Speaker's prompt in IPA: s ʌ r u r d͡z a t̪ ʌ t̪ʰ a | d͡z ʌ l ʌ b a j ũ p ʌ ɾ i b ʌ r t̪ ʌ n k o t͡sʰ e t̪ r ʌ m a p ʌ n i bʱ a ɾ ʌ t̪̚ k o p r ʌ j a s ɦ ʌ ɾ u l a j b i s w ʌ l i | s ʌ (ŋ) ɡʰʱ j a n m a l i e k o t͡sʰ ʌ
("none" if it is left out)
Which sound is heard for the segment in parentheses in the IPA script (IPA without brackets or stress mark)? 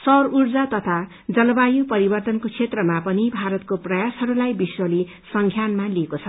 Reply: ŋ